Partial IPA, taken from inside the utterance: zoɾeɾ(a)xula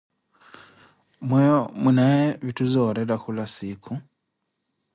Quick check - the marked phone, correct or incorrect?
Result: correct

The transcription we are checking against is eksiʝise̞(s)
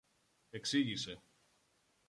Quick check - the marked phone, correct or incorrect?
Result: incorrect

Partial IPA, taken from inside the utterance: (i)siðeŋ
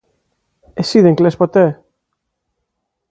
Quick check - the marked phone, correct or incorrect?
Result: incorrect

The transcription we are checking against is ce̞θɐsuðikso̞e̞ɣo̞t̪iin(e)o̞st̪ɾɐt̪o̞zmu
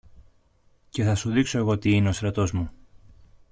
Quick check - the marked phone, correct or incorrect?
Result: correct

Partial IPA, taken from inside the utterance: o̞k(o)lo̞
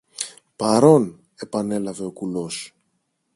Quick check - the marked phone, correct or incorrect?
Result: incorrect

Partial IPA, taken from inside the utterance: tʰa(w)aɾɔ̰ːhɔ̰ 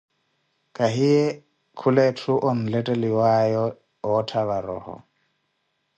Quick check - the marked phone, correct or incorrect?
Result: incorrect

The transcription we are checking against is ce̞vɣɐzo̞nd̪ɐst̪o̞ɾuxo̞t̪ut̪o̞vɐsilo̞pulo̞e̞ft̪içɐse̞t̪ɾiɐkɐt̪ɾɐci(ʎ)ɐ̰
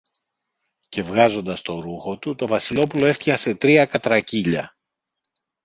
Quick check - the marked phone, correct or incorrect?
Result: correct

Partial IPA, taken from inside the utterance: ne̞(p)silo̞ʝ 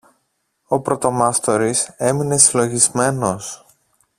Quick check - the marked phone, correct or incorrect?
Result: incorrect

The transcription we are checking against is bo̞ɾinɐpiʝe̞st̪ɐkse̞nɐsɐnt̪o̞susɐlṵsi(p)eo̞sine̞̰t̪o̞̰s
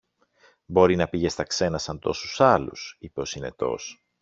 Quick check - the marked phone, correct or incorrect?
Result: correct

